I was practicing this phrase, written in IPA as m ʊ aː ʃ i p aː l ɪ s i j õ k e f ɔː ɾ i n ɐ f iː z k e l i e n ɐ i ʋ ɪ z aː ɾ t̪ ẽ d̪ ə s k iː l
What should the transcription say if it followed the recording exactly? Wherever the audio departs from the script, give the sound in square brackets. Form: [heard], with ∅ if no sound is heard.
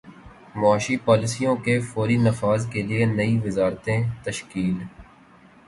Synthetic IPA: m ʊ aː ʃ i p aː l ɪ s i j õ k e f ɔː ɾ i n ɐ f [aː] z k e l i e n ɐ i ʋ ɪ z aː ɾ t̪ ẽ [t̪] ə [ʃ] k iː l